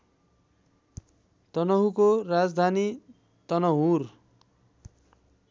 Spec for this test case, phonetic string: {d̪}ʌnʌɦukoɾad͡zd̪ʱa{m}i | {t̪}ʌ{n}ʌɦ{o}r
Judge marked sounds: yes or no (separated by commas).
no, no, yes, yes, no